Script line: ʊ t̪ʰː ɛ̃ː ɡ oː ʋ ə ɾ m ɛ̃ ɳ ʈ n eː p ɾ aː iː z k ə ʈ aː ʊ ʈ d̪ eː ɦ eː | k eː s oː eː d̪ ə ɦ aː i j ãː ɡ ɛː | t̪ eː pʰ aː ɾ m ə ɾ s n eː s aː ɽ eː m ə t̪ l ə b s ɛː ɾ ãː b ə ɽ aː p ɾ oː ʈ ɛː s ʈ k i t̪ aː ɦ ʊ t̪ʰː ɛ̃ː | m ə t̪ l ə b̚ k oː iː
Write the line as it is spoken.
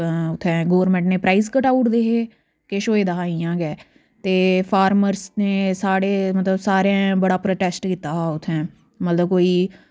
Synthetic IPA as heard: ʊ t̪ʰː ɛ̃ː ɡ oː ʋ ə ɾ m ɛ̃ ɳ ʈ n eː p ɾ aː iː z k ə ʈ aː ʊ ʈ d̪ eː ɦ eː | k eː ʃ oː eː d̪ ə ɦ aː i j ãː ɡ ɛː | t̪ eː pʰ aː ɾ m ə ɾ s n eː s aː ɽ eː m ə t̪ l ə b s aː ɾ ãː b ə ɽ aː p ɾ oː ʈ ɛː s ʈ k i t̪ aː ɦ ʊ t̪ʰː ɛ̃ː | m ə t̪ l ə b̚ k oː iː